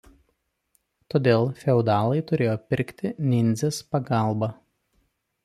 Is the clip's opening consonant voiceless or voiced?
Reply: voiceless